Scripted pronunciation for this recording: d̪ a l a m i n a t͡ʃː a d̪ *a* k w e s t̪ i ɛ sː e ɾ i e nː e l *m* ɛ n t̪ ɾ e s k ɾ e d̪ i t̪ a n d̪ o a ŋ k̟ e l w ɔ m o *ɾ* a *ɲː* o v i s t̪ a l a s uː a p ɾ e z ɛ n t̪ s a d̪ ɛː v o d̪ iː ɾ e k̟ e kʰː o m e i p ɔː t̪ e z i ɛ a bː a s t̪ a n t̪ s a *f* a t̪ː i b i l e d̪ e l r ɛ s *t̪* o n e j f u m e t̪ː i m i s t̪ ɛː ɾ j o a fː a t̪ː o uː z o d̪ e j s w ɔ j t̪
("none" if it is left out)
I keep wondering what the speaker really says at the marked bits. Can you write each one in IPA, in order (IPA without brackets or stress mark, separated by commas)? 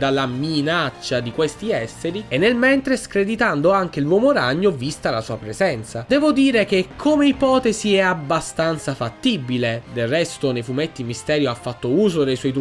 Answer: i, m, ɾ, ɲː, f, t̪